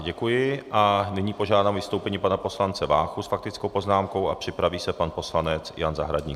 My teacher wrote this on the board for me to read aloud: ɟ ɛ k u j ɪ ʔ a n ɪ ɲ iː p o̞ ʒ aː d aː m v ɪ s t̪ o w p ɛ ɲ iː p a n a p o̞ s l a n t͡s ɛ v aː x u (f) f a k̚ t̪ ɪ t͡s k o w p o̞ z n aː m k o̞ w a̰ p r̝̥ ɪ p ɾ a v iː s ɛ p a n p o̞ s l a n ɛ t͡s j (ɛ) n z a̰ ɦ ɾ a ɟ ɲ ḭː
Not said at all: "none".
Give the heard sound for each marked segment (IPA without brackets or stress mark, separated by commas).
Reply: s, a